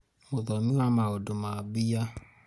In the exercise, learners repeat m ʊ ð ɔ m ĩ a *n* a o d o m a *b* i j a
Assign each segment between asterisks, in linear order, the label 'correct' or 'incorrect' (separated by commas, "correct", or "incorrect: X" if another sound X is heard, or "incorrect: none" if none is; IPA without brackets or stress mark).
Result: incorrect: m, correct